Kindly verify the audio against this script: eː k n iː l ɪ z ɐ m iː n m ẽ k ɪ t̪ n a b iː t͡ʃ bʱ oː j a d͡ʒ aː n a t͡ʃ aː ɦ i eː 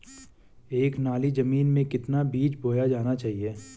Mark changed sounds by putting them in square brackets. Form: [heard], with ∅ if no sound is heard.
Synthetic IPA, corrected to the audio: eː k n [aː] l [i] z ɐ m iː n m ẽ k ɪ t̪ n a b iː t͡ʃ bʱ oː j a d͡ʒ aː n a t͡ʃ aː ɦ i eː